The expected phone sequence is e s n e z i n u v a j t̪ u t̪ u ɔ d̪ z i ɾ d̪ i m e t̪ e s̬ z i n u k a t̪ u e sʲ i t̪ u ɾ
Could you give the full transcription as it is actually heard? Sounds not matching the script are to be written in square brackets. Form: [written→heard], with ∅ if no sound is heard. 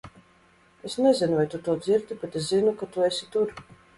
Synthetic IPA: e s n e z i n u v a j t̪ u t̪ u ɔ d̪ z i ɾ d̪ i [m→b] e t̪ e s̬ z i n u k a t̪ u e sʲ i t̪ u ɾ